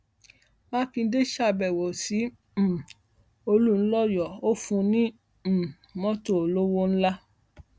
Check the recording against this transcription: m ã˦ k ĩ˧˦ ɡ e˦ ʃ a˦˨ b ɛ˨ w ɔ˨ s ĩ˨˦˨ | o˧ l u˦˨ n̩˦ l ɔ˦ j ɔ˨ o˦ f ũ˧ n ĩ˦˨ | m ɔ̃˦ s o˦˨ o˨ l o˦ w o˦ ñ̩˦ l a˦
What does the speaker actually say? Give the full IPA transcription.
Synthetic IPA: m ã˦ k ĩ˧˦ d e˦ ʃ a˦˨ b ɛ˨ w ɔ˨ s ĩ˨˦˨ | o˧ l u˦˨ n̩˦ l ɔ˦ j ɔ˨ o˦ f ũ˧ n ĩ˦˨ | m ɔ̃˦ t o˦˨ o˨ l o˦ w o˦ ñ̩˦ l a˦